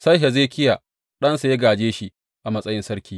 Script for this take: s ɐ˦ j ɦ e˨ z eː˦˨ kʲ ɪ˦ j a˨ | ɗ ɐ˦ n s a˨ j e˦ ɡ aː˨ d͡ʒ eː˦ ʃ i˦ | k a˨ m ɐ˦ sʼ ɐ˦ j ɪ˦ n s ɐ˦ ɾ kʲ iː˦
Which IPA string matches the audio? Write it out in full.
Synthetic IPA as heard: s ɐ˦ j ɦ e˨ z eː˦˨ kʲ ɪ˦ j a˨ | ɗ ɐ˦ n s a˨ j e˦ ɡ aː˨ d͡ʒ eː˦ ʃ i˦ | ʔ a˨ m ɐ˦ sʼ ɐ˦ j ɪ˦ n s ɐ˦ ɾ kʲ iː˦